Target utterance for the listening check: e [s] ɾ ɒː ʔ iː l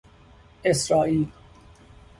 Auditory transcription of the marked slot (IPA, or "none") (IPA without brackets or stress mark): s